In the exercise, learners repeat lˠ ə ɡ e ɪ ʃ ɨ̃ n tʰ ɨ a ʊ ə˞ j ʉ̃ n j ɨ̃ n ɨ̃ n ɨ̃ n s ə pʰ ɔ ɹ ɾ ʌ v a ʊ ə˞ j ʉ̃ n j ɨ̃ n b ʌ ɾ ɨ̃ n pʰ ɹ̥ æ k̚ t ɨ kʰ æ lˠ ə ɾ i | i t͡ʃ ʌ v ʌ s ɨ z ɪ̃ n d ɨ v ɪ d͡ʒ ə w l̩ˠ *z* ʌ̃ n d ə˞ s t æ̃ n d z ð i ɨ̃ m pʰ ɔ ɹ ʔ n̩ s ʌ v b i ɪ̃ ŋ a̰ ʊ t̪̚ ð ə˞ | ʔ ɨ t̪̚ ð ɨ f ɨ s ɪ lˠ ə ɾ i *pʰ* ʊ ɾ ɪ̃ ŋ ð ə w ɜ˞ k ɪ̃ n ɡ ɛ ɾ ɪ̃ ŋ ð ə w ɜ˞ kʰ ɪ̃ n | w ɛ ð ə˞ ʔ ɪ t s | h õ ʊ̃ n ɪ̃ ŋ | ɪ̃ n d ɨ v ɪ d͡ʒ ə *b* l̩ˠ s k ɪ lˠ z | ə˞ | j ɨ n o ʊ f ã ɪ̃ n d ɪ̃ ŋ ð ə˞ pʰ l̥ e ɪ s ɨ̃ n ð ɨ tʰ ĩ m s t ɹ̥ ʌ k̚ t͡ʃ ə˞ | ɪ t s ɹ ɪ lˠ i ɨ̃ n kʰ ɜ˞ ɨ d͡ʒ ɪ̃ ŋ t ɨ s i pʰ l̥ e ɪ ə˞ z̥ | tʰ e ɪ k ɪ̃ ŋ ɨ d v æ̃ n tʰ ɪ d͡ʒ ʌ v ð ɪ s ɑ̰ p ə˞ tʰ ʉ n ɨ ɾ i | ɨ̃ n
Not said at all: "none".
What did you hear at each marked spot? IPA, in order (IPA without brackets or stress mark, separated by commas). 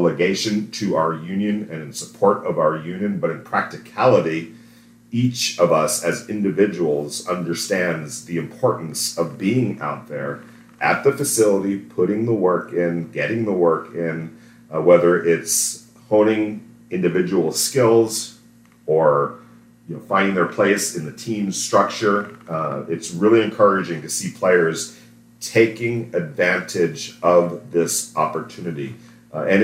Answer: z, pʰ, w